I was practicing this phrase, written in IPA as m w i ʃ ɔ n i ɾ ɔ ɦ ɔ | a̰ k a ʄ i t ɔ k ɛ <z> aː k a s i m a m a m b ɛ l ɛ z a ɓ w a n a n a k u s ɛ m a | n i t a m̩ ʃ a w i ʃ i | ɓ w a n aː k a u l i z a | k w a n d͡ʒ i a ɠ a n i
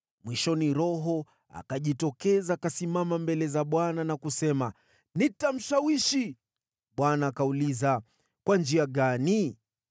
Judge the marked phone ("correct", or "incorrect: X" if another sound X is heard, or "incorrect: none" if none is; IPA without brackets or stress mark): correct